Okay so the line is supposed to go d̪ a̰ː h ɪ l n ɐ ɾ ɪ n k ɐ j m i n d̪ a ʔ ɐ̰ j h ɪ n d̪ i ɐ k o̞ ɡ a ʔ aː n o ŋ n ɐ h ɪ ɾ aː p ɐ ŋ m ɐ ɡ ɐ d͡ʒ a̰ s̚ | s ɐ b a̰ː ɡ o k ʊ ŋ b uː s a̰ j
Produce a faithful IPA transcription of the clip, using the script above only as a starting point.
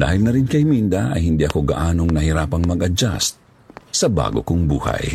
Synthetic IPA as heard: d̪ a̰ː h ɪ l n ɐ ɾ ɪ n k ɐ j m i n d̪ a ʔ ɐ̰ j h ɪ n d̪ i ɐ k o̞ ɡ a ʔ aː n o ŋ n ɐ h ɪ ɾ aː p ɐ ŋ m ɐ ɡ ɐ d͡ʒ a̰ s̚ | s ɐ b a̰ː ɡ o k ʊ ŋ b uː h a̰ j